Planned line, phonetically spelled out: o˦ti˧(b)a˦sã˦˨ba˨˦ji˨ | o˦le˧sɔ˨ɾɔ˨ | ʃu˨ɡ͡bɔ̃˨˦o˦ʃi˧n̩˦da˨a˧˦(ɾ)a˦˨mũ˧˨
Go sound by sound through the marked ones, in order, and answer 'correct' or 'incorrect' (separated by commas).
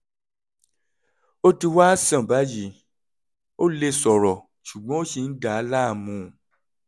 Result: incorrect, incorrect